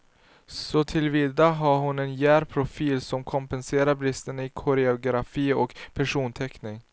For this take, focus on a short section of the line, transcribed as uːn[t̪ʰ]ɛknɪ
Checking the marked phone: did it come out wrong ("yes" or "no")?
no